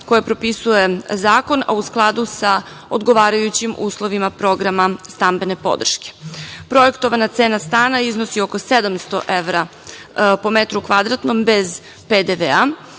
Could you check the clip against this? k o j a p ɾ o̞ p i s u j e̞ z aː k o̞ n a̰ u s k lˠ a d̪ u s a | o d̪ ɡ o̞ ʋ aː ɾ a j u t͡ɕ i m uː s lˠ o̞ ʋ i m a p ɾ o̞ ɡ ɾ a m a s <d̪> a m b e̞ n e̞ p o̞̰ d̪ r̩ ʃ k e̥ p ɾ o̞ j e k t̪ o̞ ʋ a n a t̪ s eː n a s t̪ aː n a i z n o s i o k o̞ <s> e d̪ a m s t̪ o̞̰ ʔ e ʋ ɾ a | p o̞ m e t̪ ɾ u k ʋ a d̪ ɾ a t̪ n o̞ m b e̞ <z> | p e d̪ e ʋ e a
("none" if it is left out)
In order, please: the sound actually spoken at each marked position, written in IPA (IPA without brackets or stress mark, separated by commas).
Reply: t̪, s, z